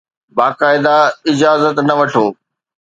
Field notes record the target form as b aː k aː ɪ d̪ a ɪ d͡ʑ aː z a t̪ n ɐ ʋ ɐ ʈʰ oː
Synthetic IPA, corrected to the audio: b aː k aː ɪ d̪ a ɪ d͡ʑ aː z ə t̪ n ɐ ʋ ɐ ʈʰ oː